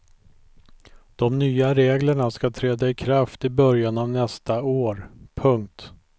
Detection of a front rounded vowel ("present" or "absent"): present